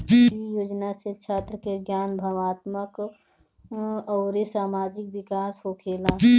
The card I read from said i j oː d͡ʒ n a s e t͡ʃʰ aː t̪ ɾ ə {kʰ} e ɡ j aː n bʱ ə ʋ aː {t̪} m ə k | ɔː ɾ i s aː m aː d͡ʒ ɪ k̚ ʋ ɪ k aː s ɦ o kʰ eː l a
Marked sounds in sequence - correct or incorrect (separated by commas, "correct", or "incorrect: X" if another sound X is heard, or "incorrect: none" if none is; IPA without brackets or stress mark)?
incorrect: k, correct